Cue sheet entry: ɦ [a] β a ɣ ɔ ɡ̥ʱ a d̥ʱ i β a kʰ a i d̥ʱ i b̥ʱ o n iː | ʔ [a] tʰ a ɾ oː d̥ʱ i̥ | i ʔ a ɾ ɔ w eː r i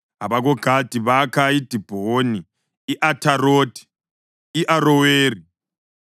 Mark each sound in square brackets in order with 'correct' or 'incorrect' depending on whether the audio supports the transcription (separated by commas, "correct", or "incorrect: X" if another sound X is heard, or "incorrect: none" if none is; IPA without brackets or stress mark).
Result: correct, correct